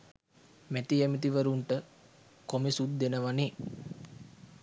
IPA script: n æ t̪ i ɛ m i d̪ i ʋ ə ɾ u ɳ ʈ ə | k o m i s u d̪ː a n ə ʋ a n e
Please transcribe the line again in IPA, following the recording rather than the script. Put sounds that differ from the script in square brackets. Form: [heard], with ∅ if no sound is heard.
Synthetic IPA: [m] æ t̪ i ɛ m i [t̪] i ʋ ə ɾ u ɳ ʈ ə | k o m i s u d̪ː [e] n ə ʋ a n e